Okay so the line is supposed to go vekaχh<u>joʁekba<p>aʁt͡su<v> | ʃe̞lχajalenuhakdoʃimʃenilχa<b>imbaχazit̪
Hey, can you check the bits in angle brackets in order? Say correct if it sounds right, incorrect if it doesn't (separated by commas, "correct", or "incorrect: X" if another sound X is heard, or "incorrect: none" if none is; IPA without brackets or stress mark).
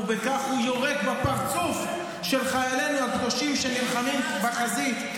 correct, correct, incorrect: f, incorrect: m